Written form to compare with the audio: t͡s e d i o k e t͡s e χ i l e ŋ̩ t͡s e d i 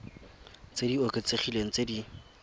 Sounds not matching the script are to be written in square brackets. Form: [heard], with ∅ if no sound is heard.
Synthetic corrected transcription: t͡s e d i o k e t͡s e χ i l e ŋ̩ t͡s e d i